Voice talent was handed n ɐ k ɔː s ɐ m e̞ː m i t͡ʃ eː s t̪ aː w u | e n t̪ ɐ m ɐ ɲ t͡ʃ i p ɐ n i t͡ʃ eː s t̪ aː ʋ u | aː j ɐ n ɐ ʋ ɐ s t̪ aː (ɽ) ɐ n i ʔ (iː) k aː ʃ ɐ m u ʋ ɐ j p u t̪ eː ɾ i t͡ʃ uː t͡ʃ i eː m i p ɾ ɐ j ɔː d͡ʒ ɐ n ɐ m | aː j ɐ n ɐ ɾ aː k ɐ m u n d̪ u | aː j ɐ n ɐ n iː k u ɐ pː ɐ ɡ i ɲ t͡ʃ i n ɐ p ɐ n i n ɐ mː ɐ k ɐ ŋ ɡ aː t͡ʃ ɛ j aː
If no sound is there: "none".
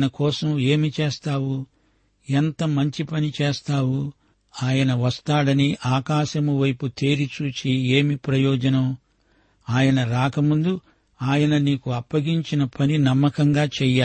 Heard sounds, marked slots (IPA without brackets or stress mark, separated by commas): ɽ, aː